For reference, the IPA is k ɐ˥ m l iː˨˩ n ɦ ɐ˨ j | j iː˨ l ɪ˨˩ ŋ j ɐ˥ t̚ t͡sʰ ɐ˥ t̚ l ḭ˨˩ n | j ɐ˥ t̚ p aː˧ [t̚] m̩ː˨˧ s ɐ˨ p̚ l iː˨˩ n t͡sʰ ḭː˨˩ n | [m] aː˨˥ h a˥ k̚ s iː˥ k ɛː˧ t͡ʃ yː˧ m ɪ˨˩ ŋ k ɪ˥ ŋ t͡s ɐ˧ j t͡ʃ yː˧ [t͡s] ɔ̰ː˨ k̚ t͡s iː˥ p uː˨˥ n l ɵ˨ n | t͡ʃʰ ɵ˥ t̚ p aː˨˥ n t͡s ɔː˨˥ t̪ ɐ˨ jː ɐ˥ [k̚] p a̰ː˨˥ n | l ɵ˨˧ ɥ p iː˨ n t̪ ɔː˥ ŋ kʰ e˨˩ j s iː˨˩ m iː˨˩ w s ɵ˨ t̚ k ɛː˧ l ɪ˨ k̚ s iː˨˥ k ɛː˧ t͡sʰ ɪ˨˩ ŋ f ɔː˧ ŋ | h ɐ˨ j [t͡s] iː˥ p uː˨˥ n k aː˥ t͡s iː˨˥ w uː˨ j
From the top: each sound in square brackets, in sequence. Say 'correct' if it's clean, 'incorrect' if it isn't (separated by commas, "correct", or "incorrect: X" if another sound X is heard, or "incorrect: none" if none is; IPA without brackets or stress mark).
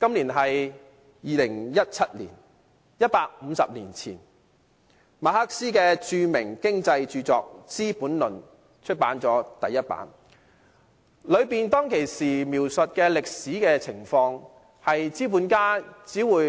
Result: incorrect: k̚, correct, correct, incorrect: t̚, correct